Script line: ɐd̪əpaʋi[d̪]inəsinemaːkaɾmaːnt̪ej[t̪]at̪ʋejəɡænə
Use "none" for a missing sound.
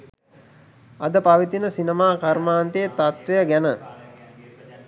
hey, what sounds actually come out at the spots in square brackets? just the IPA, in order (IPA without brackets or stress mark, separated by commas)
t̪, t̪